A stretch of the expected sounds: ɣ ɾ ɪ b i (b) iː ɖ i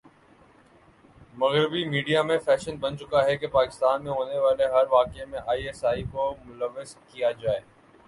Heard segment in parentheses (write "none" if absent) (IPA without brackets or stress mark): m